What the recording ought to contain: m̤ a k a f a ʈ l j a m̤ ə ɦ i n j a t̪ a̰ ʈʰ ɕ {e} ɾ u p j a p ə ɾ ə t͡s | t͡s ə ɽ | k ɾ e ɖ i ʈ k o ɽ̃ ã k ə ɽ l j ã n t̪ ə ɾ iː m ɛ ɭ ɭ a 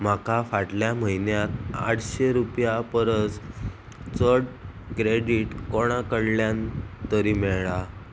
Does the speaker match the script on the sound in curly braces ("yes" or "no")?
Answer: yes